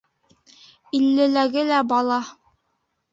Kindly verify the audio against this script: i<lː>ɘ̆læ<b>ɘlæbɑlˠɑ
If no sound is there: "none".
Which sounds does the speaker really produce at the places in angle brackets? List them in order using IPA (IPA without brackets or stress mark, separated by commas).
lː, ɡ